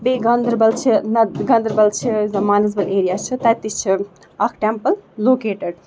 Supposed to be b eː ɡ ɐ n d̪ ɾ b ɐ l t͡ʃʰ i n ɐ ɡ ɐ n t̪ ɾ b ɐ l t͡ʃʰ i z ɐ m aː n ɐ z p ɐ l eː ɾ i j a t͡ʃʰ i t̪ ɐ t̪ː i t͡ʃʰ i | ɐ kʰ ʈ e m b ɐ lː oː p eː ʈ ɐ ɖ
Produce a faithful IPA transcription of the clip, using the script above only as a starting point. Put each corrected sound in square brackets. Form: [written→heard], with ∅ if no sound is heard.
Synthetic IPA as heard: b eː ɡ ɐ n d̪ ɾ b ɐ l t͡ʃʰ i n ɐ ɡ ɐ n [t̪→d̪] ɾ b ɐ l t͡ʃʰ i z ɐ m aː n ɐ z [p→b] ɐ l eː ɾ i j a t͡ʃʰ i t̪ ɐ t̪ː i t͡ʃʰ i | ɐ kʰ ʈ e m [b→p] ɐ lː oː [p→k] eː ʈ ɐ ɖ